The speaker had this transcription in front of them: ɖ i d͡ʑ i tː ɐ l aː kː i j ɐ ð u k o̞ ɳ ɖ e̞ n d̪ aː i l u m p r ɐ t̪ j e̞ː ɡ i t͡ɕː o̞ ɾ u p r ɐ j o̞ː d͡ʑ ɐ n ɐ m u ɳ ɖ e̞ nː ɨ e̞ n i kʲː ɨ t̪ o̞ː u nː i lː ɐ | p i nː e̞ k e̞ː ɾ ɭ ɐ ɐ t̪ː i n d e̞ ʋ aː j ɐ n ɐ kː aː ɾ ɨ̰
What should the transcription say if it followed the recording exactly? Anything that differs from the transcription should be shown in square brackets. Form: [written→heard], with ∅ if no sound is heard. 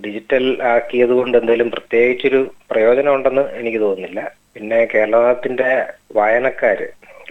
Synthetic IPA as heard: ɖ i d͡ʑ i tː ɐ l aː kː i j ɐ ð u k o̞ ɳ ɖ e̞ n d̪ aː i l u m p r ɐ t̪ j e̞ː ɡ i t͡ɕː o̞ ɾ u p r ɐ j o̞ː d͡ʑ ɐ n ɐ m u ɳ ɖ e̞ nː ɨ e̞ n i kʲː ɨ t̪ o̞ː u nː i lː ɐ | p i nː e̞ k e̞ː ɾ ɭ ɐ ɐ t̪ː i n d e̞ ʋ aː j ɐ n ɐ kː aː ɾ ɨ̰